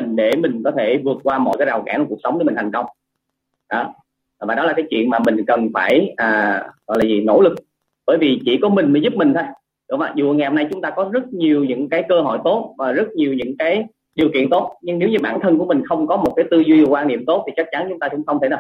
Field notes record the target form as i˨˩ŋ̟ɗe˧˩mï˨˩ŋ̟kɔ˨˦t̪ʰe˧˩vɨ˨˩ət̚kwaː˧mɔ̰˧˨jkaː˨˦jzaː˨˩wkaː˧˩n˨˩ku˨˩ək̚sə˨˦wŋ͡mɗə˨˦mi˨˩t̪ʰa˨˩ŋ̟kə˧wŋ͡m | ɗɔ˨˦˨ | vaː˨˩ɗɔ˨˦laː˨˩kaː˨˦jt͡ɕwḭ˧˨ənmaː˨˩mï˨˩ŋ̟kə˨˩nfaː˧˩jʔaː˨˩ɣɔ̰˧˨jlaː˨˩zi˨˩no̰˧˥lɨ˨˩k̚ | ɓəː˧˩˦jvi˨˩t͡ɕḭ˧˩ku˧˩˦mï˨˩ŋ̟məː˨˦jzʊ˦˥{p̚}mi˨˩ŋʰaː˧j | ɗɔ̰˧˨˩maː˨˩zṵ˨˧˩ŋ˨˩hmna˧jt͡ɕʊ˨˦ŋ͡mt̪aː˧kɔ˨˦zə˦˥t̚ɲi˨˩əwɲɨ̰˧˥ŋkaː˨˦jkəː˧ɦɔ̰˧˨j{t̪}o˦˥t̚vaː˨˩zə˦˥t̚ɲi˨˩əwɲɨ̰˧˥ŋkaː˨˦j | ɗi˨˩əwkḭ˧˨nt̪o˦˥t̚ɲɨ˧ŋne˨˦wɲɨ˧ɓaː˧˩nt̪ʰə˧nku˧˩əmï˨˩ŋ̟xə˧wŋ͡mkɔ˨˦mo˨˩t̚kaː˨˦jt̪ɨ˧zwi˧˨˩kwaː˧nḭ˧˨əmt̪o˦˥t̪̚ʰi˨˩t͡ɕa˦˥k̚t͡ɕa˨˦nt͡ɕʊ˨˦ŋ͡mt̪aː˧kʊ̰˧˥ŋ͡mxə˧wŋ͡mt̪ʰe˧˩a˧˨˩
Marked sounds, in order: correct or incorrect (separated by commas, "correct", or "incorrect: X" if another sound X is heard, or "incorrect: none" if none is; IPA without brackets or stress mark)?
correct, correct